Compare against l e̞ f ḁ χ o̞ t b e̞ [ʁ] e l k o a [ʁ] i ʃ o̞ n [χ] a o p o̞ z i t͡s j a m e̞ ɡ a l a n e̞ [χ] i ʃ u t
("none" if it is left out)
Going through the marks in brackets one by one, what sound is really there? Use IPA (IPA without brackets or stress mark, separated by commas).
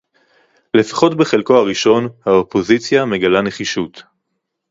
χ, ʁ, h, χ